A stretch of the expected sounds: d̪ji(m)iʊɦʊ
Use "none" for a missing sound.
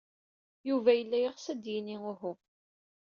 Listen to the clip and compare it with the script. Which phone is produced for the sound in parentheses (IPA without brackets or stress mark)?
n